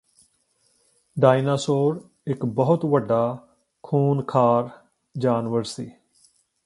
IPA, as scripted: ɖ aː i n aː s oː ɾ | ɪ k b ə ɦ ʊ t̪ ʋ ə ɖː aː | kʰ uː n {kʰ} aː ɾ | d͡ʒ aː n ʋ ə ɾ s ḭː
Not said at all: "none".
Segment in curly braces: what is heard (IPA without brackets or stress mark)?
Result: kʰ